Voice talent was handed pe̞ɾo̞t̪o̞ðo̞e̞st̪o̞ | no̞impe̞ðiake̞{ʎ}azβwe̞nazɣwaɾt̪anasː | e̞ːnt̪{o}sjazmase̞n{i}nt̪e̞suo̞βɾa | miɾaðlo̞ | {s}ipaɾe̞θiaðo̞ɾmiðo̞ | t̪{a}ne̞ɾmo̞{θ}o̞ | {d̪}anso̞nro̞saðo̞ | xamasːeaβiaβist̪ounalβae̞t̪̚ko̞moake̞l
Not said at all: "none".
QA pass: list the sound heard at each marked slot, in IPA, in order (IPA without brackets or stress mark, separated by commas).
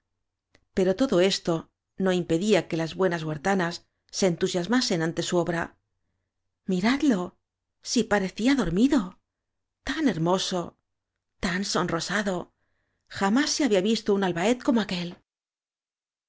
l, u, a, s, a, s, t̪